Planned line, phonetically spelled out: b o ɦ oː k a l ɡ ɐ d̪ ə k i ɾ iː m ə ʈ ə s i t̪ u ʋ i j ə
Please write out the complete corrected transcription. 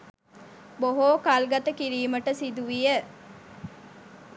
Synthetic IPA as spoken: b o ɦ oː k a l ɡ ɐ t̪ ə k i ɾ iː m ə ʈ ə s i d̪ u ʋ i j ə